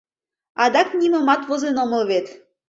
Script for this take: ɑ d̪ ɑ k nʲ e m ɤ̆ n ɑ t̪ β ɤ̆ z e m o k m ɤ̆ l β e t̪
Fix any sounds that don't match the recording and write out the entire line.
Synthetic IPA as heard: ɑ d̪ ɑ k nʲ i m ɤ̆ m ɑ t̪ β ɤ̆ z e n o m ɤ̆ l β e t̪